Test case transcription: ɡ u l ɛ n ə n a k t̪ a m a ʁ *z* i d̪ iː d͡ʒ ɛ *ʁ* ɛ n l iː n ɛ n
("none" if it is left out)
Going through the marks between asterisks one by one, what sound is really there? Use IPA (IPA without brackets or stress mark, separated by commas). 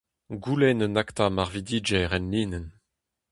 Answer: v, ʁ